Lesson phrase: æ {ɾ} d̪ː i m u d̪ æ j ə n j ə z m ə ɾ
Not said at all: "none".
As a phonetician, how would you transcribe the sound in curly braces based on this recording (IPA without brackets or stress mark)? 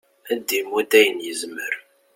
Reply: none